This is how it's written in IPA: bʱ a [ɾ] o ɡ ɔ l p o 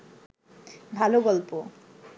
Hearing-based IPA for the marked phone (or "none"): l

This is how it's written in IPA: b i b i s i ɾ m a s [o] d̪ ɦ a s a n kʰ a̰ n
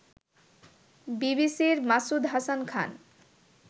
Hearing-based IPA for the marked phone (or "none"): u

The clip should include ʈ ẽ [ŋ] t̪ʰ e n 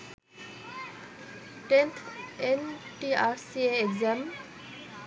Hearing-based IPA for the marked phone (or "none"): n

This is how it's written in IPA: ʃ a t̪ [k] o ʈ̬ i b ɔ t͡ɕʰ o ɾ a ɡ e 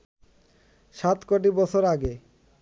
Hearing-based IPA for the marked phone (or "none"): k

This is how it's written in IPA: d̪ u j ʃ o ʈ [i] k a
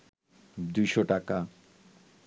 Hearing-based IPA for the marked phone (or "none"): a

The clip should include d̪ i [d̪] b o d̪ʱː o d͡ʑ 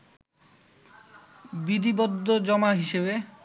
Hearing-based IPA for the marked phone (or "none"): none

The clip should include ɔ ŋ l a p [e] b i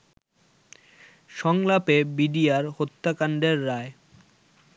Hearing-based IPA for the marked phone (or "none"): e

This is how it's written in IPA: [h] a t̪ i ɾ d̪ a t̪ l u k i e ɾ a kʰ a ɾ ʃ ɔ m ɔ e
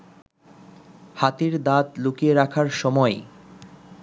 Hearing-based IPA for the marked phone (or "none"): h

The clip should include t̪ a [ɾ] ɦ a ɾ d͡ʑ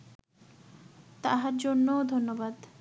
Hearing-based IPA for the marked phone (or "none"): none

